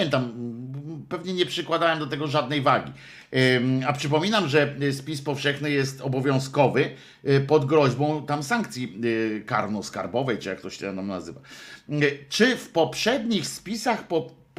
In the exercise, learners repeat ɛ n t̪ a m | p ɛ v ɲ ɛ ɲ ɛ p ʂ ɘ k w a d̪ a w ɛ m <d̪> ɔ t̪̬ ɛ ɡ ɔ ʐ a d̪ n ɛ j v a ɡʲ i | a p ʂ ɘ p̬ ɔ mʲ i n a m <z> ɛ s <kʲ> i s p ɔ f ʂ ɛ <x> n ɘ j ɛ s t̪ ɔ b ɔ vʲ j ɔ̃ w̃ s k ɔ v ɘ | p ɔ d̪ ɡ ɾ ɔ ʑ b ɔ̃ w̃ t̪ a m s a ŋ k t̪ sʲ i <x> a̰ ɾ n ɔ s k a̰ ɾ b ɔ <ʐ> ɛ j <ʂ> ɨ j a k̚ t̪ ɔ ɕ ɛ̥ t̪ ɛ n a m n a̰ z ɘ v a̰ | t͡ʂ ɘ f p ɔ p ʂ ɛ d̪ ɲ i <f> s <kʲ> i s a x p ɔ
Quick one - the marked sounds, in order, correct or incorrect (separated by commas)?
correct, incorrect, incorrect, correct, incorrect, incorrect, incorrect, incorrect, incorrect